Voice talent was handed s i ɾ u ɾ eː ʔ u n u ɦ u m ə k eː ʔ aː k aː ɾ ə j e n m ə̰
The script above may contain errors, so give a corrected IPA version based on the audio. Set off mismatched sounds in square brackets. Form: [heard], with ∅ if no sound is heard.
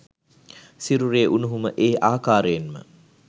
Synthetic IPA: s i ɾ u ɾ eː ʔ u n u ɦ u m ə [ʔ] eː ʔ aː k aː ɾ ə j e n m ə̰